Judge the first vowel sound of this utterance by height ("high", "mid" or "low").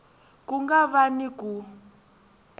high